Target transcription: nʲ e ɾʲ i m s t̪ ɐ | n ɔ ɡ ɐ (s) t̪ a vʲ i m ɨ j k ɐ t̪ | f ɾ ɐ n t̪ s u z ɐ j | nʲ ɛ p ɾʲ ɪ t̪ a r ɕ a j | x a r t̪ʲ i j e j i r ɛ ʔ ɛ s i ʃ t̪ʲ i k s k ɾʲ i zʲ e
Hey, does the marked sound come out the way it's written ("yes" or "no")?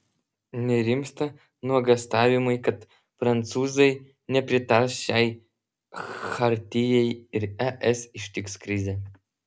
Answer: yes